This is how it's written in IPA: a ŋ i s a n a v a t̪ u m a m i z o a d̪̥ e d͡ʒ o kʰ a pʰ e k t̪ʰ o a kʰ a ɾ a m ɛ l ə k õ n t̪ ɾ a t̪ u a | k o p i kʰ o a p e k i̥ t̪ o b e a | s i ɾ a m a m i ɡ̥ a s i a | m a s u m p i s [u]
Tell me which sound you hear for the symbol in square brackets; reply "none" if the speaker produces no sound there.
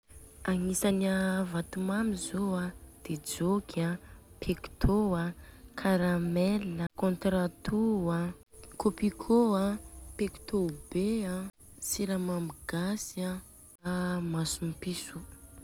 u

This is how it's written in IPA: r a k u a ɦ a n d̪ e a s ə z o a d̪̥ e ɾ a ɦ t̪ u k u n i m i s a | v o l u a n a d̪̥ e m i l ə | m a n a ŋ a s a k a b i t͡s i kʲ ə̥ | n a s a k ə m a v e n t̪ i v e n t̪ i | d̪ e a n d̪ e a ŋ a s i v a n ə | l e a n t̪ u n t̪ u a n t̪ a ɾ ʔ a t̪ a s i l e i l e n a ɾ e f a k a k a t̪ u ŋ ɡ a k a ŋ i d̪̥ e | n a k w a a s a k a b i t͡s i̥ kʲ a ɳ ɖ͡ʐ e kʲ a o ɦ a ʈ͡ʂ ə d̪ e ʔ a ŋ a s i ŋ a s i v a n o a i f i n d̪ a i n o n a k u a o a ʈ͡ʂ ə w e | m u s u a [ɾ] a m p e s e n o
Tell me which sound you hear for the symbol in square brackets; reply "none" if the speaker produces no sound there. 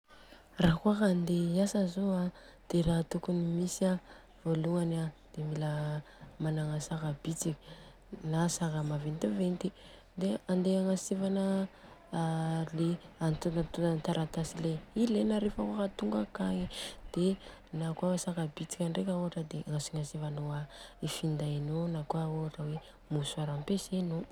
ɾ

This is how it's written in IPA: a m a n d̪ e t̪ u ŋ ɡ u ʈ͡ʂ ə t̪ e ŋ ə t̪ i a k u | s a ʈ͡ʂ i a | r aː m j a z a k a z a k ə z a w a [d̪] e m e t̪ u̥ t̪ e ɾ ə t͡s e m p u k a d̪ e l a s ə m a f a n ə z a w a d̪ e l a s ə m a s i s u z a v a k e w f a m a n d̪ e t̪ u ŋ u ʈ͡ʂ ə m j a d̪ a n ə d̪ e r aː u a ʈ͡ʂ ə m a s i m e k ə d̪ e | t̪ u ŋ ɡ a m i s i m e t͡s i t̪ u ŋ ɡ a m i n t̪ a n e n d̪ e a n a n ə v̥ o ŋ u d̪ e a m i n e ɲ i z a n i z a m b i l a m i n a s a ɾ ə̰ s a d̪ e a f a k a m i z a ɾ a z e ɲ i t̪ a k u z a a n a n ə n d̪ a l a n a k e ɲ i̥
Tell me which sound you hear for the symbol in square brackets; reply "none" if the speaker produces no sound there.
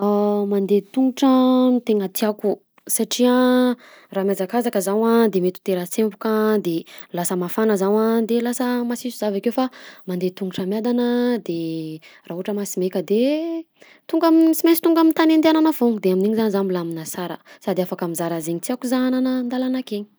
d̪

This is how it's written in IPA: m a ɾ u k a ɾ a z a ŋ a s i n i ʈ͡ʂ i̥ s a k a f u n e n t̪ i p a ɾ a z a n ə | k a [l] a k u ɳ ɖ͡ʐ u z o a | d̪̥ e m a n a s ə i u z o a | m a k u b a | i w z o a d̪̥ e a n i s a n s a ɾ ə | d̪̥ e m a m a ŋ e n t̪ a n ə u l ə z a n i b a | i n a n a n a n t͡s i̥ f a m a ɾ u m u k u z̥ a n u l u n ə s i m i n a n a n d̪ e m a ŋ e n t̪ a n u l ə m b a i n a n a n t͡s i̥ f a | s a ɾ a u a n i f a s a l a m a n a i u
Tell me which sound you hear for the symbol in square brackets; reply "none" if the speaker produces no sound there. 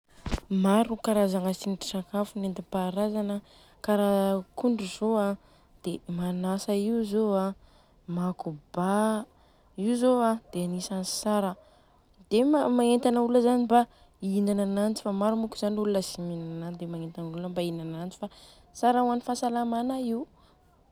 ɾ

